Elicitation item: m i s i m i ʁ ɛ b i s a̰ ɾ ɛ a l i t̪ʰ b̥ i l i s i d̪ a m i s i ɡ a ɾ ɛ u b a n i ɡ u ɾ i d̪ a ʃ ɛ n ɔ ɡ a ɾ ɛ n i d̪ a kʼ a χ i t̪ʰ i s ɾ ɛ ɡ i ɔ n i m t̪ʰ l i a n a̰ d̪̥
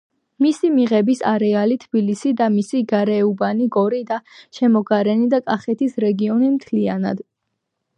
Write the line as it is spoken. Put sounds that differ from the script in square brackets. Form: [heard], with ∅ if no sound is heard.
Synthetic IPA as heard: m i s i m i ʁ ɛ b i s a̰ ɾ ɛ a l i t̪ʰ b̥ i l i s i d̪ a m i s i ɡ a ɾ ɛ u b a n i ɡ [ɔ] ɾ i d̪ a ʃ ɛ [m] ɔ ɡ a ɾ ɛ n i d̪ a kʼ a χ [ɛ] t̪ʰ i s ɾ ɛ ɡ i ɔ n i m t̪ʰ l i a n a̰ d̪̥